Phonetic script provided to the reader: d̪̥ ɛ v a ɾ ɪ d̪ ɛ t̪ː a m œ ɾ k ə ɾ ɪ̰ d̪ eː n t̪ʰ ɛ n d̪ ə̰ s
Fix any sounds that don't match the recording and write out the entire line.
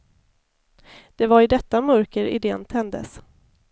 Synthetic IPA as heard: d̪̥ ɛ v a ɾ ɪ d̪ ɛ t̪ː a m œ ɾ k ə ɾ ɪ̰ d̪ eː n t̪ʰ ɛ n d̪ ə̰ s